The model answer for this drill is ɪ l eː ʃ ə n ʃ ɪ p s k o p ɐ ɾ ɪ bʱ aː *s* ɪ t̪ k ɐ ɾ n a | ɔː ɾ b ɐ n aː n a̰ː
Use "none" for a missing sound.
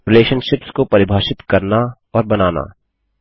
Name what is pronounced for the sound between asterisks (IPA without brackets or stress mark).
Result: ʃ